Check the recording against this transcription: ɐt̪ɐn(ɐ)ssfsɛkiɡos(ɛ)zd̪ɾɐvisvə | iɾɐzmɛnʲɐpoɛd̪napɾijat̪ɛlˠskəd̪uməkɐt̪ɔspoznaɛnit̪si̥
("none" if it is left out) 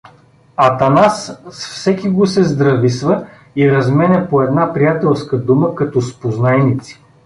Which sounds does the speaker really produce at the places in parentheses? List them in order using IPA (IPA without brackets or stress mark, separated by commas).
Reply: a, ɛ